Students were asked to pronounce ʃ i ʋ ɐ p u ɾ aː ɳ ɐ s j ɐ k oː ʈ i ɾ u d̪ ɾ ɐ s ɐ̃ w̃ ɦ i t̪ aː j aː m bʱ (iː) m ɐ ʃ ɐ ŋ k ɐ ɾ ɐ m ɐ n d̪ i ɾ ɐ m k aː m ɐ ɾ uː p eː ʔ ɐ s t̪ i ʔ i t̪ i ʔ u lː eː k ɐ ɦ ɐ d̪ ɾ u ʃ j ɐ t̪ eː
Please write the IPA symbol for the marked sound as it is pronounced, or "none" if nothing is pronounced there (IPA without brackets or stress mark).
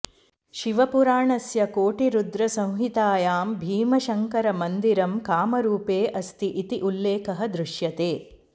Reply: iː